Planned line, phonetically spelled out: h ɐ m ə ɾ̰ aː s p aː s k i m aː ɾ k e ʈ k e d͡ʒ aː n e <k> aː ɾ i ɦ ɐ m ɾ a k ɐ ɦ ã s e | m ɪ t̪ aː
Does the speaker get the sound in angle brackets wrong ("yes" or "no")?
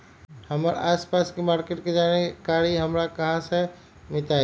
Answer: no